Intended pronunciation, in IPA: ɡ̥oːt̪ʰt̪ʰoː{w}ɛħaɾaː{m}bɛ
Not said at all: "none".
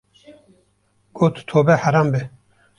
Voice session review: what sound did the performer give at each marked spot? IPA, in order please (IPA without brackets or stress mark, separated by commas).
b, m